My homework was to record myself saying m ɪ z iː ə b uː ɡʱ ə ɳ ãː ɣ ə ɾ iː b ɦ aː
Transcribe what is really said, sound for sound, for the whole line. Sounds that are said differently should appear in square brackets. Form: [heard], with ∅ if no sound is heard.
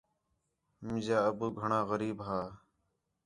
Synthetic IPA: m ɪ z [aː] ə b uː ɡʱ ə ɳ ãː ɣ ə ɾ iː b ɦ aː

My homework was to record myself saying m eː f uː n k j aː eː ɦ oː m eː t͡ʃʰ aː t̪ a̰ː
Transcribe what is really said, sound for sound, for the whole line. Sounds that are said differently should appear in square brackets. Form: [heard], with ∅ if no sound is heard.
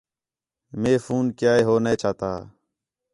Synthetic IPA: m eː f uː n k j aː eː ɦ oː [n] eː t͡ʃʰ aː t̪ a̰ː

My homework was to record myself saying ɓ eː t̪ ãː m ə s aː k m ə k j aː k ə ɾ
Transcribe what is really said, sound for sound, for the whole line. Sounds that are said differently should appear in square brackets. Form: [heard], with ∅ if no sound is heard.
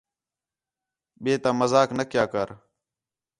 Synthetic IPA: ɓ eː t̪ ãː m ə [z] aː k [n] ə k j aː k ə ɾ

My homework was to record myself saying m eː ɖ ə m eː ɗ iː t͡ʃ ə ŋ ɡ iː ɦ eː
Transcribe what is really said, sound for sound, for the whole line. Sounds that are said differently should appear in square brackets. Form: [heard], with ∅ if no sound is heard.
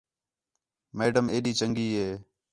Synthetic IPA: m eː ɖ ə m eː ɗ iː t͡ʃ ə ŋ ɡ iː ɦ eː

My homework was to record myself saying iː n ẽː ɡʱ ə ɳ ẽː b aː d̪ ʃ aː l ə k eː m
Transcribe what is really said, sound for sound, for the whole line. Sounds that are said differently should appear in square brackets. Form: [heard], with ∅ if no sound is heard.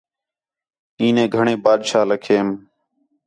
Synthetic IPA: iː n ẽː ɡʱ ə ɳ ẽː b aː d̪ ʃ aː l ə [kʰ] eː m

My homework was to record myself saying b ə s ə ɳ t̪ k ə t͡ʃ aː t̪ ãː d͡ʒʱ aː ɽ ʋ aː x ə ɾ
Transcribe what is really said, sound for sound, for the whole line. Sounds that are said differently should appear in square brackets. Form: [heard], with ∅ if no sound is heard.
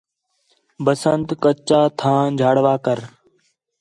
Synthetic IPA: b ə s ə [n] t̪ k ə t͡ʃ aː [t̪ʰ] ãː d͡ʒʱ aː ɽ ʋ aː [k] ə ɾ

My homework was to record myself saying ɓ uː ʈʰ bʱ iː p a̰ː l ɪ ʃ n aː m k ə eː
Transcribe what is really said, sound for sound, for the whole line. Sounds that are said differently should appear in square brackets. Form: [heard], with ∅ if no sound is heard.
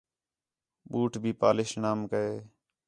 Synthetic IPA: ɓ uː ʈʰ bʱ iː p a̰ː l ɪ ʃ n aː m k ə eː

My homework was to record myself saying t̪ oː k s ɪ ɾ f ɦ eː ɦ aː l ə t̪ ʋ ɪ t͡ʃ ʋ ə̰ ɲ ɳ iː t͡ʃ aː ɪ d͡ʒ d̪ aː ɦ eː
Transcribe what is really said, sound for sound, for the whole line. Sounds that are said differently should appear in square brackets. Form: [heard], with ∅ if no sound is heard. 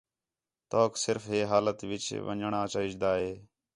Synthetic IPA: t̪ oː k s ɪ ɾ f ɦ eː ɦ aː l ə t̪ ʋ ɪ t͡ʃ ʋ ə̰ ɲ ɳ [aː] t͡ʃ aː ɪ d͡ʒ d̪ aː ɦ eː

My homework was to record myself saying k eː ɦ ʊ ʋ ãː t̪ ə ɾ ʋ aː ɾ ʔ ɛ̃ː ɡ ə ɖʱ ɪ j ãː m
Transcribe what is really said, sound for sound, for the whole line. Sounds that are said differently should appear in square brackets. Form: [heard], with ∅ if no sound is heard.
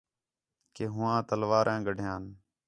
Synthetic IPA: k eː ɦ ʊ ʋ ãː t̪ ə [l] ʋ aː ɾ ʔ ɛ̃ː ɡ ə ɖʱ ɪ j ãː [n]

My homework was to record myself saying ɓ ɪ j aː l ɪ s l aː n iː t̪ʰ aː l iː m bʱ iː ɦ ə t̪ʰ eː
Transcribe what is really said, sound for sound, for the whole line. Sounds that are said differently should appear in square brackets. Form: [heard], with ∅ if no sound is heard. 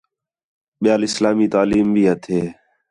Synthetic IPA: ɓ ɪ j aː l ɪ s l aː [m] iː [t̪] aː l iː m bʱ iː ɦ ə t̪ʰ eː

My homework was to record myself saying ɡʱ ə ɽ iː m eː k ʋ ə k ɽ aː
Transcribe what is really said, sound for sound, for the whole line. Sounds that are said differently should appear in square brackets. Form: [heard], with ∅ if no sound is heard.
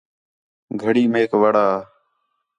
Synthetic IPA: ɡʱ ə ɽ iː m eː k ʋ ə [∅] ɽ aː

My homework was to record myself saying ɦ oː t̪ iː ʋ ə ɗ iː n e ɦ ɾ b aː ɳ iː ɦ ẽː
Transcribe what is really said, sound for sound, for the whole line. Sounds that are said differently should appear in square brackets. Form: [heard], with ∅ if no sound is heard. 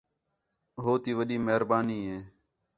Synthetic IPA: ɦ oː t̪ iː ʋ ə ɗ iː [m] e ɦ ɾ b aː [n] iː ɦ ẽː

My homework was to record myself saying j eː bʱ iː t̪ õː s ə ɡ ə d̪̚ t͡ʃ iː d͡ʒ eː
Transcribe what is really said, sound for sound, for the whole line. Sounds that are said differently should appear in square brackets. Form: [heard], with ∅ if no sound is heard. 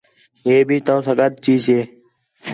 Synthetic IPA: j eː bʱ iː t̪ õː s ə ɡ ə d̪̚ t͡ʃ iː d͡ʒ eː

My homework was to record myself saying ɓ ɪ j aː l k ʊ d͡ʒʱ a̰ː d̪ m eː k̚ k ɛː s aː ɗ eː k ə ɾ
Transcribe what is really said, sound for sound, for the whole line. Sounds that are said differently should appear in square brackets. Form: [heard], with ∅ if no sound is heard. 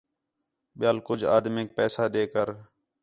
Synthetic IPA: ɓ ɪ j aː l k ʊ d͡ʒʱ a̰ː d̪ m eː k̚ [p] ɛː s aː ɗ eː k ə ɾ

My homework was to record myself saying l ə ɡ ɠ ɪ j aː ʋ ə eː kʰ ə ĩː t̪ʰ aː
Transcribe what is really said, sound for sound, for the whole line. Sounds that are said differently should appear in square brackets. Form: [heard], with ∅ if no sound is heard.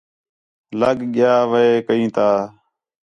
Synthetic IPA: l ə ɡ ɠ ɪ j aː ʋ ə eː [k] ə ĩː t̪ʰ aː

